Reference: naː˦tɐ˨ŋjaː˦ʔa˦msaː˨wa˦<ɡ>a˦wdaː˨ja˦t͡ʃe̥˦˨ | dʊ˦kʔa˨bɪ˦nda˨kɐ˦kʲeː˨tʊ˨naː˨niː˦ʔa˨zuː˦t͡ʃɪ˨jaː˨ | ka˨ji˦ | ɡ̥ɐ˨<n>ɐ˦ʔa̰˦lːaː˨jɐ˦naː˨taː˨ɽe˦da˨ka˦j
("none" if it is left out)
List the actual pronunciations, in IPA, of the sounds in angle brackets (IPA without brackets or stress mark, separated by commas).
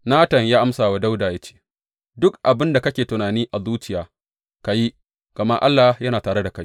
d, m